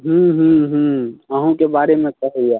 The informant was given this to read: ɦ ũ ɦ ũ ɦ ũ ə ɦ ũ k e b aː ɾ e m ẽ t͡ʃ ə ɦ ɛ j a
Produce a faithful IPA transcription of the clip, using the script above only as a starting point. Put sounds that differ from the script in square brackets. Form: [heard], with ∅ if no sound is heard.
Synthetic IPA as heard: ɦ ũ ɦ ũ ɦ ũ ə ɦ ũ k e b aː ɾ e m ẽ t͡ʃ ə ɦ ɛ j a

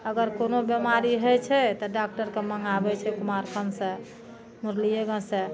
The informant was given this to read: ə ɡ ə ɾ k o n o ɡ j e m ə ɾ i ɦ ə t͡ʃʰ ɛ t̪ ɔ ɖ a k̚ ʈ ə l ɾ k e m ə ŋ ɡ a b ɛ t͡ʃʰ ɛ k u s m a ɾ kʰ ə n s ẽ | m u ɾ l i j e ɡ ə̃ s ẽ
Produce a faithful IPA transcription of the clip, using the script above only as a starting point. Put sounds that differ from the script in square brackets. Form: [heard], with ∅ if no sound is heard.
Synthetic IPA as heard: ə ɡ ə ɾ k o n o [b] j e m [a] ɾ i ɦ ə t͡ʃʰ ɛ t̪ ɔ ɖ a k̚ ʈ ə [∅] ɾ k e m ə ŋ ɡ a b ɛ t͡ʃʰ ɛ k u [∅] m a ɾ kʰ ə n s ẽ | m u ɾ l i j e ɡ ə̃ s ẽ

